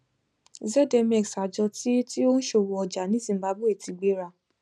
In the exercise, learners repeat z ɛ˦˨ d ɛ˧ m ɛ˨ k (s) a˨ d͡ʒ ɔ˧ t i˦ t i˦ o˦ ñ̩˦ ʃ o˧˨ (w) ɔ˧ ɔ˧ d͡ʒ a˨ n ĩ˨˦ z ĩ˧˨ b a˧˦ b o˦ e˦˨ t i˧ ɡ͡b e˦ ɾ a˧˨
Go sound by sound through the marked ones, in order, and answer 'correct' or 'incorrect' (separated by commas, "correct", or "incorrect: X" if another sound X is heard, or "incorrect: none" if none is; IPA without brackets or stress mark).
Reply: correct, correct